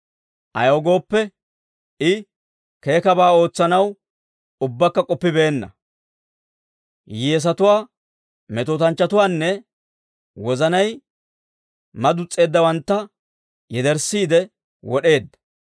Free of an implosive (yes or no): no